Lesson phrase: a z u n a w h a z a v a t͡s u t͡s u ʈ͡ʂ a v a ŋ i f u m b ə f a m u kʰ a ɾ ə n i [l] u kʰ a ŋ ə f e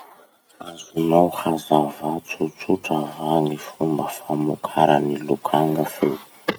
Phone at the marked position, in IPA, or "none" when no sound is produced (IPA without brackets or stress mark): l